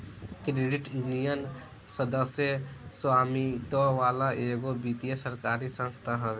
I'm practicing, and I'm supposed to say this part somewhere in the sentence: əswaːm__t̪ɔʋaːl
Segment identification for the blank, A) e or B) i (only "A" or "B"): B